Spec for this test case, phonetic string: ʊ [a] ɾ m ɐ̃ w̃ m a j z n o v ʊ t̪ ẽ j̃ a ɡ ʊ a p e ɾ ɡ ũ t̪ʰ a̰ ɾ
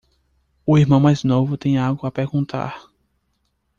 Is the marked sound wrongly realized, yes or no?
yes